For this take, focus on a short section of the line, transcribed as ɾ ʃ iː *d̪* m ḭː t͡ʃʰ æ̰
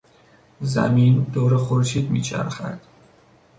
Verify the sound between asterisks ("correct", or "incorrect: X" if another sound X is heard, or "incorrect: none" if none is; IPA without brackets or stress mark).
correct